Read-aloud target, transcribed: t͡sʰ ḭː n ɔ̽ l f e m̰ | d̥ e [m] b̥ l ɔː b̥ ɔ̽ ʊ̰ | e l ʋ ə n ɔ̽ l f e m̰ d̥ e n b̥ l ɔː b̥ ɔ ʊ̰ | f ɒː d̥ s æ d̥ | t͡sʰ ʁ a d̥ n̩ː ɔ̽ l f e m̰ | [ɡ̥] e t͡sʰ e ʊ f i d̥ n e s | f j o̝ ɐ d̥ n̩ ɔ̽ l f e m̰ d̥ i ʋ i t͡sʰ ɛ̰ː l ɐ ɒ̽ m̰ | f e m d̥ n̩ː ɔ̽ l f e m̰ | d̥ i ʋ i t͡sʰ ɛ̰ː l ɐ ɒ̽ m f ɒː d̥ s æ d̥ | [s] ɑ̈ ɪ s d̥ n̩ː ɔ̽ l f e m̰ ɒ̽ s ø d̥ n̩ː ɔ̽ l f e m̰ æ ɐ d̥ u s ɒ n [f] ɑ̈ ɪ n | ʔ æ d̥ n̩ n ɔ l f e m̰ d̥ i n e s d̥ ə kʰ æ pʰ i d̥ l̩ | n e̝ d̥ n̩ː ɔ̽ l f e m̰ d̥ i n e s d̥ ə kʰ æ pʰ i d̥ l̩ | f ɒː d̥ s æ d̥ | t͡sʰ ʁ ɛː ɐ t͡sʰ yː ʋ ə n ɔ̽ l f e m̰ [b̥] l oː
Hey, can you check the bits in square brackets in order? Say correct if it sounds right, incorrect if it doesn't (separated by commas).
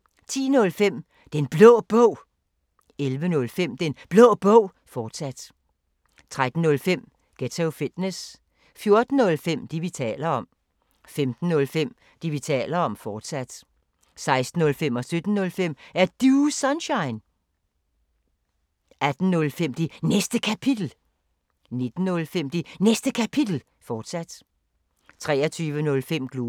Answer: incorrect, correct, correct, incorrect, incorrect